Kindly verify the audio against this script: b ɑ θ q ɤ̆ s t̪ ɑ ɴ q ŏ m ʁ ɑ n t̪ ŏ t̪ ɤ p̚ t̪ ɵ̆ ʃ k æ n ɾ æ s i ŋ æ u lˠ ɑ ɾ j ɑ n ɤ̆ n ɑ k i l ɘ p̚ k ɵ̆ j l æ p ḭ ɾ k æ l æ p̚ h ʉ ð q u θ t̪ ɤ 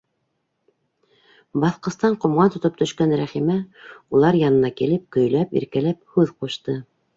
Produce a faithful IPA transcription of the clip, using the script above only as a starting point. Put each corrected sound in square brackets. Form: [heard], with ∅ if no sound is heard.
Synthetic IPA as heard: b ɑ θ q ɤ̆ s t̪ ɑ ɴ q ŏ m ʁ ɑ n t̪ ŏ t̪ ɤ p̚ t̪ ɵ̆ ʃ k æ n ɾ æ [χ] i [m] æ u lˠ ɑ ɾ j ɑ n ɤ̆ n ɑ k i l ɘ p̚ k ɵ̆ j l æ p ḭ ɾ k æ l æ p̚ h ʉ ð q u [ʃ] t̪ ɤ